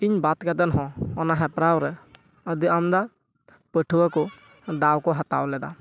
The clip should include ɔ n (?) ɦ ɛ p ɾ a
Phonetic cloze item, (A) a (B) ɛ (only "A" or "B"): A